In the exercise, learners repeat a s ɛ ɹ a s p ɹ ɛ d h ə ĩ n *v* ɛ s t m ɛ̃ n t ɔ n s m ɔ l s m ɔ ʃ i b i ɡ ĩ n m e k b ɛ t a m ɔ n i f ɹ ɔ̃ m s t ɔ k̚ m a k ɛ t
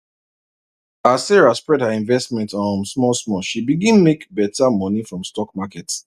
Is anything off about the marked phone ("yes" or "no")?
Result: no